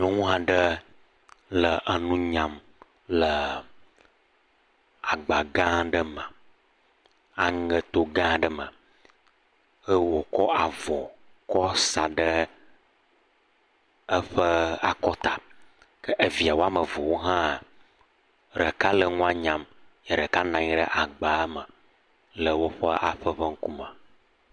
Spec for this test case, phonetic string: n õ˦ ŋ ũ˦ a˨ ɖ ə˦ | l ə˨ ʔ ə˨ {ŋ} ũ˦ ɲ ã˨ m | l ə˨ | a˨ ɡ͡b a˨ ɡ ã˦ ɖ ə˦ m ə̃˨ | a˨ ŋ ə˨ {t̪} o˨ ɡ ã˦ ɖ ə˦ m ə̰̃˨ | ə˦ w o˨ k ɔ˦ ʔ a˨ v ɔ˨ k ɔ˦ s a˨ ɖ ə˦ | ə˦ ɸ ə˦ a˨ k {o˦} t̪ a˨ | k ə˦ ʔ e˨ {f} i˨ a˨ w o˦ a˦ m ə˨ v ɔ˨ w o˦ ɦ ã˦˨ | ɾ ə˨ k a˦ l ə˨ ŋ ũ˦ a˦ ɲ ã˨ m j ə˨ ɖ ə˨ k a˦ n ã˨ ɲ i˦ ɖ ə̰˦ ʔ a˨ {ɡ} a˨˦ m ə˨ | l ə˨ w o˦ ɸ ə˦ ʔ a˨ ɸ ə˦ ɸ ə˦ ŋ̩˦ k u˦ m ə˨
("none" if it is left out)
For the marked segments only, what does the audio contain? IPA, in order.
n, t̪, ɔ˦, v, ɡ͡b

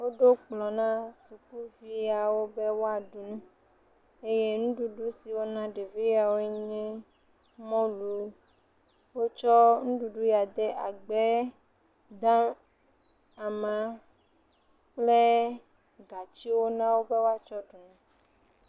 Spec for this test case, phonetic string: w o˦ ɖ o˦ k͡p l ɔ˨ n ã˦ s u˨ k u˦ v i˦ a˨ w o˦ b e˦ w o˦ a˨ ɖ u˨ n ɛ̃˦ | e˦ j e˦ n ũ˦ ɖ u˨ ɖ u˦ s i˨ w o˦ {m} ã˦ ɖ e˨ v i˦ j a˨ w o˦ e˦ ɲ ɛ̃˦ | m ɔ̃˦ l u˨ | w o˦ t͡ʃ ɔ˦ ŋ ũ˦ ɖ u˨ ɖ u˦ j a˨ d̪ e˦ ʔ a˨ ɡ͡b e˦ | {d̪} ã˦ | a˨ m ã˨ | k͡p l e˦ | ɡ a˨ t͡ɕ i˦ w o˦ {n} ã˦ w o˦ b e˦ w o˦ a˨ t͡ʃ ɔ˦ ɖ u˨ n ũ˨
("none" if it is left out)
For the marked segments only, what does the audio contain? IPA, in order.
n, d̪, n

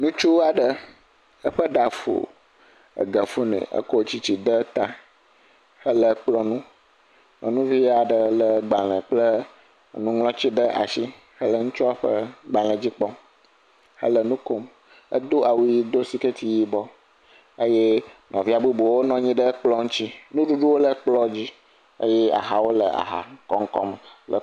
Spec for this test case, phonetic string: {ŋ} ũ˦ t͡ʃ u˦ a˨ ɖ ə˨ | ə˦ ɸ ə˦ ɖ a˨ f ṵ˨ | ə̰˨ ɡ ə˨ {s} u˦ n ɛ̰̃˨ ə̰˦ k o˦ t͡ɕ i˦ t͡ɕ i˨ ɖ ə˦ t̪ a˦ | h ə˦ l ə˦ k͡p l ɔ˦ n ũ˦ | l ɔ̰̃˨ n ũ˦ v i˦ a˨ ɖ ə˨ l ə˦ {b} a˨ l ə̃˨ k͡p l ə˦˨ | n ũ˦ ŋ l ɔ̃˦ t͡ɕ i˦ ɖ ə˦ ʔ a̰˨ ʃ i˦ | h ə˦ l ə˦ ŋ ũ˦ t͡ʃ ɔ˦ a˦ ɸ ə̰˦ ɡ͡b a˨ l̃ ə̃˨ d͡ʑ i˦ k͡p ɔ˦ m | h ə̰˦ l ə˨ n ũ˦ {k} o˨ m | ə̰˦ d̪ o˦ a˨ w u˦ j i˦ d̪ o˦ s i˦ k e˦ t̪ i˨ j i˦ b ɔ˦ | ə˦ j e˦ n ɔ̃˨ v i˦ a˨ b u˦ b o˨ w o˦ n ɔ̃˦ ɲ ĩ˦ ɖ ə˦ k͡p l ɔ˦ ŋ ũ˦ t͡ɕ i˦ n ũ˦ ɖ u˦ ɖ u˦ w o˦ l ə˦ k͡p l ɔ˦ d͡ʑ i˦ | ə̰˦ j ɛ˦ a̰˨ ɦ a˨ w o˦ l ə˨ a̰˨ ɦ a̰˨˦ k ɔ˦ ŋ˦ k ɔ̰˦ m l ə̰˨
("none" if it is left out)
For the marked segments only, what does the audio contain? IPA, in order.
n, f, ɡ͡b, k

